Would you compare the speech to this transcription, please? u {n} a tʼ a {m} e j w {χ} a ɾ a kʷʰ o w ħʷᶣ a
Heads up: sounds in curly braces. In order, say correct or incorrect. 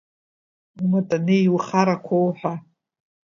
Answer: incorrect, incorrect, correct

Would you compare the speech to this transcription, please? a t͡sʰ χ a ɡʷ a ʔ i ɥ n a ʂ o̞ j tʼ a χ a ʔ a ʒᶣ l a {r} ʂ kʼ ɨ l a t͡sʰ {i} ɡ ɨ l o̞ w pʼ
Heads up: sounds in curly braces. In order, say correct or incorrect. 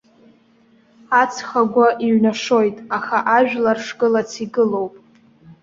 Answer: correct, correct

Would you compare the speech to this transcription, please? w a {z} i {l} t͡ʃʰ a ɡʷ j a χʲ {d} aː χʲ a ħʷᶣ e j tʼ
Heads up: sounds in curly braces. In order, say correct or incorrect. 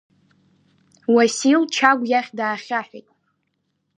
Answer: incorrect, correct, correct

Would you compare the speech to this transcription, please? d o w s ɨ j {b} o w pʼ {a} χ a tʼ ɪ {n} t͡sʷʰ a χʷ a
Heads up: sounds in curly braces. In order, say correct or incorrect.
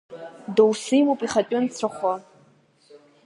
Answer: incorrect, incorrect, correct

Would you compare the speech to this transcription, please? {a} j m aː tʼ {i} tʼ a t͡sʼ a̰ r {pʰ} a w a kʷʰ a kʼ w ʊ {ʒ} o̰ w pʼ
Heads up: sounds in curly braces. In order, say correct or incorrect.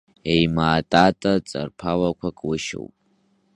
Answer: incorrect, incorrect, correct, incorrect

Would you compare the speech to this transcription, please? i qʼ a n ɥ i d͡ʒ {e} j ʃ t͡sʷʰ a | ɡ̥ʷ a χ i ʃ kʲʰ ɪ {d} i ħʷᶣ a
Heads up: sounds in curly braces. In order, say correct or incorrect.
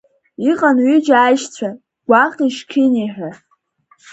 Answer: incorrect, incorrect

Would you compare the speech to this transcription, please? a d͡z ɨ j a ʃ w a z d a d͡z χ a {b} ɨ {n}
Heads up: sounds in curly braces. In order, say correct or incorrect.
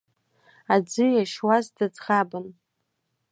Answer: correct, correct

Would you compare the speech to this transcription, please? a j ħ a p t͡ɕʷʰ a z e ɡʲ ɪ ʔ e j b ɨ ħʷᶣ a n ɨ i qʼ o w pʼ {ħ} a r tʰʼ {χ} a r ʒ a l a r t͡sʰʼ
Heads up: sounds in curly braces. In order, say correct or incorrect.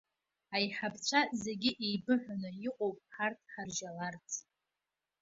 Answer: correct, incorrect

